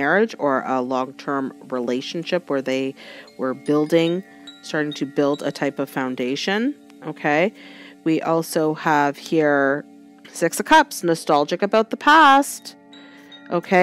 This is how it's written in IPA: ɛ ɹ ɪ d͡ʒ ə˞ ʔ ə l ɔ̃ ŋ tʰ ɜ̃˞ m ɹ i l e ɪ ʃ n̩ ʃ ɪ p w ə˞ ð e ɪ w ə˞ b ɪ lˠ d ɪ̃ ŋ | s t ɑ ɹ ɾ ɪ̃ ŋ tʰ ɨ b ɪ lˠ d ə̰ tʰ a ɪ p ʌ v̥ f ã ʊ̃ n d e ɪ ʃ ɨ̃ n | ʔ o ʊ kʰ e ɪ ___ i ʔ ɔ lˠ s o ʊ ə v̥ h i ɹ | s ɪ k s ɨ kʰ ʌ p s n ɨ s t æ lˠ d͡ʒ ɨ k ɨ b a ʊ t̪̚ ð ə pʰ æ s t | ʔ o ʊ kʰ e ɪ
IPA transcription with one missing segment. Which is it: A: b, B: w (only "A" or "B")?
B